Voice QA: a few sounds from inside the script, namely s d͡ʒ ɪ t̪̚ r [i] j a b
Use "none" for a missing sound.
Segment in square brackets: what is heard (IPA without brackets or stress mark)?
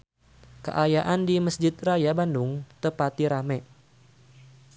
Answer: a